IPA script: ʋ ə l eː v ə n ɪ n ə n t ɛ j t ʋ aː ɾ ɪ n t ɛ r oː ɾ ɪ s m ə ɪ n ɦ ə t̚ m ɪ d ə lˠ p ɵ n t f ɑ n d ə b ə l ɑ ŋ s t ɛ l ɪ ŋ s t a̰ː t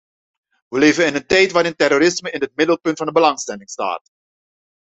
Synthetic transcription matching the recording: ʋ ə l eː v ə n ɪ n ə n t ɛ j t ʋ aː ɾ ɪ n t ɛ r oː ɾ ɪ s m ə ɪ n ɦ ə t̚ m ɪ d ə lˠ p ɵ n t f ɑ n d ə b ə l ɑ ŋ s t ɛ l ɪ ŋ s t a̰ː t